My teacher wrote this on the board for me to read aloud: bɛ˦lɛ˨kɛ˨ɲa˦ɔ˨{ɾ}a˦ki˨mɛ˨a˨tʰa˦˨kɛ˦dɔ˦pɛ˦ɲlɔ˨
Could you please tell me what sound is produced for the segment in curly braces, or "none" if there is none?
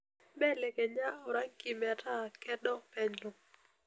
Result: ɾ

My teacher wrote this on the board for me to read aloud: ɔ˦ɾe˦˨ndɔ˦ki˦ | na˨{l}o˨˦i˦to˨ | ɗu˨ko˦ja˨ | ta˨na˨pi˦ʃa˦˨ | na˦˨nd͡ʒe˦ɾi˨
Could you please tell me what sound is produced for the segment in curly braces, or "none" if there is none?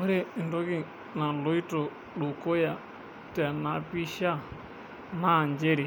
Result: l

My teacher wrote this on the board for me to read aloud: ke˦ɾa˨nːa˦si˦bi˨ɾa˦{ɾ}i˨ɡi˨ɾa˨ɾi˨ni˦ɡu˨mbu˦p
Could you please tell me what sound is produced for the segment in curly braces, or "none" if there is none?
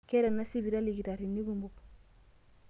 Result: l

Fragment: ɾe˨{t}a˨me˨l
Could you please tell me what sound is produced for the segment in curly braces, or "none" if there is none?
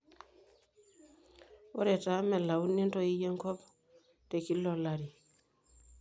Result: t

